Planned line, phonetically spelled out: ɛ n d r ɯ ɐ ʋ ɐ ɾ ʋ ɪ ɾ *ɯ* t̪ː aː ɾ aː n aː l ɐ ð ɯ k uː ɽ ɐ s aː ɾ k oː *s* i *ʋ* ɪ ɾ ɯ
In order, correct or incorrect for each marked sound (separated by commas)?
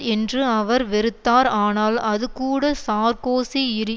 correct, correct, incorrect